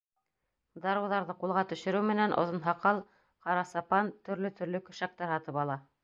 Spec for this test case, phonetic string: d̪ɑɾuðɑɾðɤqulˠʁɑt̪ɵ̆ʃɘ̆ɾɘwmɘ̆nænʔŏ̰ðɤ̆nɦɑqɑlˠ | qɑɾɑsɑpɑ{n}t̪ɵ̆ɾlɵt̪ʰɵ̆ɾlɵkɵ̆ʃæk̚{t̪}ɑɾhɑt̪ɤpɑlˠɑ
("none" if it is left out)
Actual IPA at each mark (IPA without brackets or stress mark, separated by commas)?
n, t̪